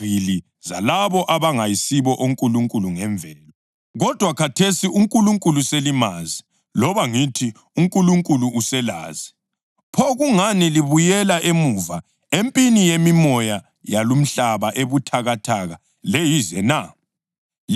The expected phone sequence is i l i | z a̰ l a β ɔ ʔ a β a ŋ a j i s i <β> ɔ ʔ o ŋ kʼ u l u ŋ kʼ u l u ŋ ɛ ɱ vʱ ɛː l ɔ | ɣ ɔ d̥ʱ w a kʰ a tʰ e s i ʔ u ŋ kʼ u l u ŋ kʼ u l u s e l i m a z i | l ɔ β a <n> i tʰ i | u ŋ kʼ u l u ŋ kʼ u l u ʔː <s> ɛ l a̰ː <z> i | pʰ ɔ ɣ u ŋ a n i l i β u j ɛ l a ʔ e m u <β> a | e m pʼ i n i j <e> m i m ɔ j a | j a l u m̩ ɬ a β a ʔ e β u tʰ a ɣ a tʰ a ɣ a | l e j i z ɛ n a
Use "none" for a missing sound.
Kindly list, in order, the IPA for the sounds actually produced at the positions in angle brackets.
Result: β, ŋ, s, z, v, e

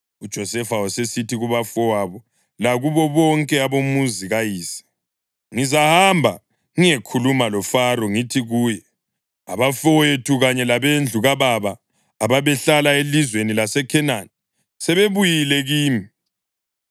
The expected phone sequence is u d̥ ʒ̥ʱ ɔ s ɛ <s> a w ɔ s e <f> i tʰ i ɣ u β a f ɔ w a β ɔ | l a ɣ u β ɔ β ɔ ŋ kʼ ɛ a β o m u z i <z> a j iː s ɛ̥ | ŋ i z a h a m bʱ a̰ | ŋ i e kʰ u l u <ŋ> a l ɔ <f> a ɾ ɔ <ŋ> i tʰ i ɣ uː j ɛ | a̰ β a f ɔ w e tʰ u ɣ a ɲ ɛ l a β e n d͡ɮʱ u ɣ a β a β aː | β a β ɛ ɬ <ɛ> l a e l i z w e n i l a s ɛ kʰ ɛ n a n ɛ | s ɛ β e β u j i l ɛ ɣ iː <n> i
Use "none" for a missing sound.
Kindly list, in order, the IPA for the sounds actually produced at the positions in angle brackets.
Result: f, s, ɣ, m, f, ŋ, a, m

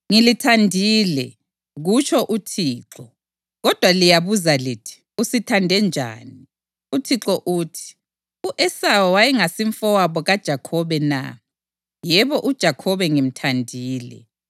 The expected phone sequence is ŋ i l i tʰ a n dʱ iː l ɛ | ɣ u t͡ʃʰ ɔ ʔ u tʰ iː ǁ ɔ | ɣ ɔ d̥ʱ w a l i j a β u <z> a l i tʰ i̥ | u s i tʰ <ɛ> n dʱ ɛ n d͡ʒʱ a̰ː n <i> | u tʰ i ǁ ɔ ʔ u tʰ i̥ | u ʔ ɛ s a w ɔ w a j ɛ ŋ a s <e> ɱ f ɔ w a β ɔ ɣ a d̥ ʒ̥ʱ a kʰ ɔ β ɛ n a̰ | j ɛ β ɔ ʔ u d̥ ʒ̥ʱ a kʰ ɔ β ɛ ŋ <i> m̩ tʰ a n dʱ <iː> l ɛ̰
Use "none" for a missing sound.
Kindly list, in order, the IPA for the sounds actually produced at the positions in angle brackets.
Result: z, a, i, i, i, iː

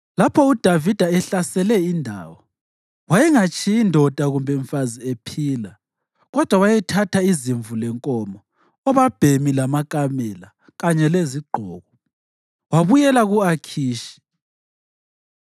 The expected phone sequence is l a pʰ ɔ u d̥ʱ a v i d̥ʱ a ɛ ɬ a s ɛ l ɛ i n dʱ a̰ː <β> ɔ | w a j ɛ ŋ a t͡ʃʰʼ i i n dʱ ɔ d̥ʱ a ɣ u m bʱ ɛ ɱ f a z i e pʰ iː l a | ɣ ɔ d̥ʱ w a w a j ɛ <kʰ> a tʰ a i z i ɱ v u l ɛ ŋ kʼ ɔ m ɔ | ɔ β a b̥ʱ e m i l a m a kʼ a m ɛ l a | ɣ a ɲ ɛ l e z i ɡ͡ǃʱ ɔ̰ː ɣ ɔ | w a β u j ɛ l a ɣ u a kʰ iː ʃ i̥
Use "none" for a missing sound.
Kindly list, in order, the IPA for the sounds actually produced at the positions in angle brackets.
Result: w, tʰ

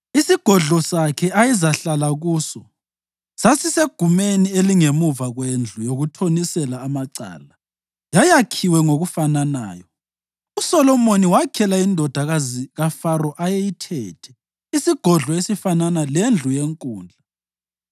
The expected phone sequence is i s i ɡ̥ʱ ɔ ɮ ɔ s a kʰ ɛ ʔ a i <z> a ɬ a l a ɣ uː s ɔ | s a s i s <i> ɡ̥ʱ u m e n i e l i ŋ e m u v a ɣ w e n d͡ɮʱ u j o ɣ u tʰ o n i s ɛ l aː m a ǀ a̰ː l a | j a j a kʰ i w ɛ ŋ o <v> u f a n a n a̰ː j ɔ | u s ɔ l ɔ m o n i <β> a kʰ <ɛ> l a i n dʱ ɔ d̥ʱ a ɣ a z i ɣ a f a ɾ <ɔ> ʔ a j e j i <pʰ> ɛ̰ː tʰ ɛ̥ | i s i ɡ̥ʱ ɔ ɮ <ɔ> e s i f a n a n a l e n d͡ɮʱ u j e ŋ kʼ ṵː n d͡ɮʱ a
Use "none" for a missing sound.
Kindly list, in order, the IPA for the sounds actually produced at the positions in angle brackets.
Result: z, e, ɣ, w, ɛ, ɔ, tʰ, ɔ

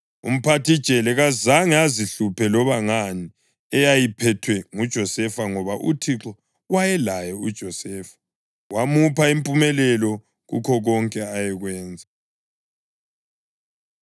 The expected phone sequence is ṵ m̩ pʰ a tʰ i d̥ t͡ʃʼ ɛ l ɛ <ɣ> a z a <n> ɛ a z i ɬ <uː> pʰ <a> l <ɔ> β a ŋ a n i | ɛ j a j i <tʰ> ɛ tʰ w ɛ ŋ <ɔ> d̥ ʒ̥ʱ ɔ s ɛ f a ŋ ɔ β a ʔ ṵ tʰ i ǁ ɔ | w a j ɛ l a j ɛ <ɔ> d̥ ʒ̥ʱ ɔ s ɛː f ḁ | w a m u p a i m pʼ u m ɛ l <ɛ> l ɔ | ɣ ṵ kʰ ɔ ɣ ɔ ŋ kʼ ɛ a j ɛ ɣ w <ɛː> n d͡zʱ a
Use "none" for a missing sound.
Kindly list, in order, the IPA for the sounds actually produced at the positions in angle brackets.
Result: ɣ, ŋ, u, ɛ, ɔ, pʰ, u, u, ɛ, ɛː

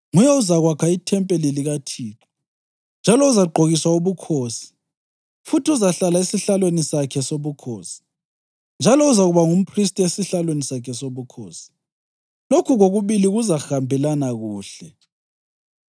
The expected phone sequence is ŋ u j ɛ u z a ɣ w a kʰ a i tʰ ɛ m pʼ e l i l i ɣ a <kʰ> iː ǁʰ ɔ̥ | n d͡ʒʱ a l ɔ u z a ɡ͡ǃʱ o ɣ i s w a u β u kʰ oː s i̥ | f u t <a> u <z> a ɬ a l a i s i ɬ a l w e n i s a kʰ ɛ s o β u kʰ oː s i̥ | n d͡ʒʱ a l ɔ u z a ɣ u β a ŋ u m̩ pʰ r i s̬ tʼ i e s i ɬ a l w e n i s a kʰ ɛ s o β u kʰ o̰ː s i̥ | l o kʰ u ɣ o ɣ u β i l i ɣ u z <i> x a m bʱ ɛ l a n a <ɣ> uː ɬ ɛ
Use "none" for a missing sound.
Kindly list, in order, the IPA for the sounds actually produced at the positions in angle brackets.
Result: tʰ, i, z, a, ɣ

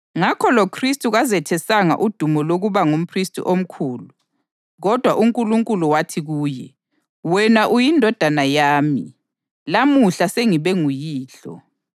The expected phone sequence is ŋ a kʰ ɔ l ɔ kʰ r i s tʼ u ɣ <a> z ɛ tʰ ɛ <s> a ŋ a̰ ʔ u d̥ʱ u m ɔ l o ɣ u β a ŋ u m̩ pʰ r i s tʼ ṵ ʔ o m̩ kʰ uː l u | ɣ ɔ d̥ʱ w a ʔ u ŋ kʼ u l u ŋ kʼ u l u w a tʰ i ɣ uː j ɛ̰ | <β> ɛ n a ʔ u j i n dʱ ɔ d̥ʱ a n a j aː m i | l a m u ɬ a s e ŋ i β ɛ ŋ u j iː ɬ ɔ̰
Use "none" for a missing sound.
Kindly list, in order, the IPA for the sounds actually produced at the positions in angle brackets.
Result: a, s, w

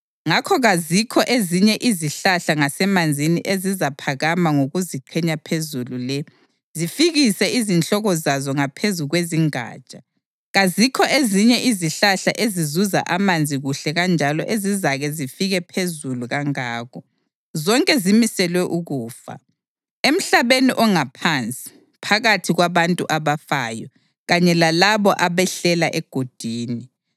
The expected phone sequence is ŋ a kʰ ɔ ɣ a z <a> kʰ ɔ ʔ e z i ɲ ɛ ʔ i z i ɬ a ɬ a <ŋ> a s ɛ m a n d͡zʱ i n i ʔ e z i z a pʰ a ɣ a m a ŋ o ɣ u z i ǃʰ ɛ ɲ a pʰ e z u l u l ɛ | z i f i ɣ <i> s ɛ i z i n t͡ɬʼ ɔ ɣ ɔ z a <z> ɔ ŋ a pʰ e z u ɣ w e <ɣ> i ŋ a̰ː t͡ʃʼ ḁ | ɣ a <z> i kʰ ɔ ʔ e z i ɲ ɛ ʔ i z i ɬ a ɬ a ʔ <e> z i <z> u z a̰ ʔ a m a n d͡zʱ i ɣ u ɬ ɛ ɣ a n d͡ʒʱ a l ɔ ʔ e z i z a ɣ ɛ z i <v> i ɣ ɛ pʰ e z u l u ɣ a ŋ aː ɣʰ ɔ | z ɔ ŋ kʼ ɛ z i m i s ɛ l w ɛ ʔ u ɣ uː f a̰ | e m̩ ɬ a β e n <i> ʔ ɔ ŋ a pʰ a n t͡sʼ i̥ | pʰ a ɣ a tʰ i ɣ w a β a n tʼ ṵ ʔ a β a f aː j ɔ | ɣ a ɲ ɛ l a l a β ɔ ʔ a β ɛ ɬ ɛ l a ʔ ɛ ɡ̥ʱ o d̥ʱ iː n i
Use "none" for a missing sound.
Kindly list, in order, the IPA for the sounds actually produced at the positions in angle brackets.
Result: i, ŋ, i, z, z, z, e, z, f, i

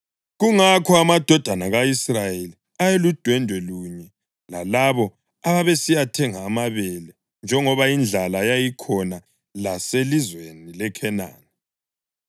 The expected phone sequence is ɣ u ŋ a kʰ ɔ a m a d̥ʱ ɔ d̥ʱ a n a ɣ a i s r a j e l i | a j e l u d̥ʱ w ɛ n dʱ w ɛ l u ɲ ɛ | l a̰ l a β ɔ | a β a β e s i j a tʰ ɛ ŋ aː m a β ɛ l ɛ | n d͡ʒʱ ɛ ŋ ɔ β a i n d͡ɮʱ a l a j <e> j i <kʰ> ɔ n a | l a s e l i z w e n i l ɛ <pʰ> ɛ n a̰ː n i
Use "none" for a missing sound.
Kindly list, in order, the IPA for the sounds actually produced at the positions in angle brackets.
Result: a, kʰ, kʰ

